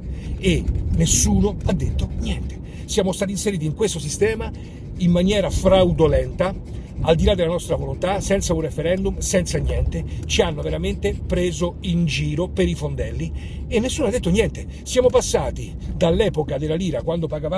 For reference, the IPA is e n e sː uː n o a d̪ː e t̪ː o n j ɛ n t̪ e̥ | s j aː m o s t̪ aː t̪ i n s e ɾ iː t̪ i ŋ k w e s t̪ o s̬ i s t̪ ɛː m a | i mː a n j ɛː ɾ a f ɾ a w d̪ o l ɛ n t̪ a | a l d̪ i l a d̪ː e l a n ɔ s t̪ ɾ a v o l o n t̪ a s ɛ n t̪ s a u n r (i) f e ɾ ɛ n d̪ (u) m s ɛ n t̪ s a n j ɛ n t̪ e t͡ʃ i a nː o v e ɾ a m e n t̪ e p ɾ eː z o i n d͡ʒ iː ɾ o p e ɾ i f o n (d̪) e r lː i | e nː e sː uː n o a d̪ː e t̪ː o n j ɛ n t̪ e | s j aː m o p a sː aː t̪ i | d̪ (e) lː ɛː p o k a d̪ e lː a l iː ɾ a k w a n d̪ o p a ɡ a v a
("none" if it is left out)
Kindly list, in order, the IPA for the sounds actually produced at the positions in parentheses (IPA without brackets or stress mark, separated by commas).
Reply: e, u, d̪, a